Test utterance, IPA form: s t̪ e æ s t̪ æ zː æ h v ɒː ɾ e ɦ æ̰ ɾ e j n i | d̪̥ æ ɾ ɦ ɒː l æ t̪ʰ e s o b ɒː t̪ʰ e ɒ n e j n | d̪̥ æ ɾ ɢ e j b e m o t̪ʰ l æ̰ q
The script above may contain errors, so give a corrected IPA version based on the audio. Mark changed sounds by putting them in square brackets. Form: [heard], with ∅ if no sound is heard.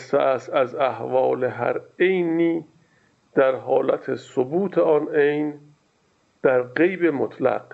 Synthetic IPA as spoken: s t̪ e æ s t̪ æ [z] æ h v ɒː [l] e ɦ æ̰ ɾ e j n [iː] | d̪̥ æ ɾ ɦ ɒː l æ t̪ʰ e s o b [uː] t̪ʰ e ɒ n e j n | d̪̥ æ ɾ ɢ e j b e m o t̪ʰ l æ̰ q